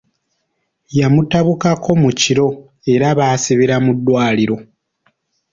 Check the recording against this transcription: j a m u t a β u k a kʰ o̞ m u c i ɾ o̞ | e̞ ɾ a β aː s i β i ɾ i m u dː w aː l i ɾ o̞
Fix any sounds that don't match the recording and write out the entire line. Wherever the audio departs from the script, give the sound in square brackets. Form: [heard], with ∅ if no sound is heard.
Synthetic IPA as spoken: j a m u t a β u k a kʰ o̞ m u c i ɾ o̞ | e̞ ɾ a β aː s i β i ɾ [a] m u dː w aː l i ɾ o̞